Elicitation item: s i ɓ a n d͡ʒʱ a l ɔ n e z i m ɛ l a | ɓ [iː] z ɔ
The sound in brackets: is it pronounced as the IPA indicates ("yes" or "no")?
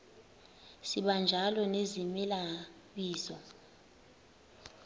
yes